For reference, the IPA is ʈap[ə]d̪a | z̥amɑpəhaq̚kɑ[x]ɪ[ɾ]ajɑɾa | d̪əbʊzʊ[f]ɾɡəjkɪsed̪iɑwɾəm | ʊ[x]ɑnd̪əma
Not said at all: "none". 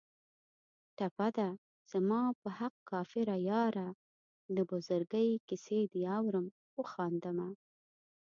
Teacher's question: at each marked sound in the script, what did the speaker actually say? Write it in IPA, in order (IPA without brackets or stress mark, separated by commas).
a, f, ɾ, none, x